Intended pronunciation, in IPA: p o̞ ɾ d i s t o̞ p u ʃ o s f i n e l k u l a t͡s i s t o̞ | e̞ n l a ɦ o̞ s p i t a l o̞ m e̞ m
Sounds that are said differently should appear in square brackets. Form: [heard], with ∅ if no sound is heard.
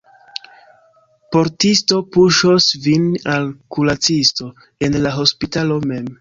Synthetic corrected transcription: p o̞ ɾ [t] i s t o̞ p u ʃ o s [v] i n [a] l k u l a t͡s i s t o̞ | e̞ n l a ɦ o̞ s p i t a l o̞ m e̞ m